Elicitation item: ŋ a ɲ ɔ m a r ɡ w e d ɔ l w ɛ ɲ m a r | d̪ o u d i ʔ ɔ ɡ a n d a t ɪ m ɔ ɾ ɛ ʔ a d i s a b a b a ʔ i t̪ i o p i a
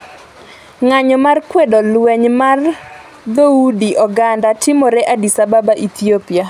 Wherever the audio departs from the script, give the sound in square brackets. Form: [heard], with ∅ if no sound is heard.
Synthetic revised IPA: ŋ a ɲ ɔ m a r [k] w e d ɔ l w ɛ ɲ m a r | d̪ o u d i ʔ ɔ ɡ a n d a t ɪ m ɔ ɾ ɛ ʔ a d i s a b a b a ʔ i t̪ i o p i a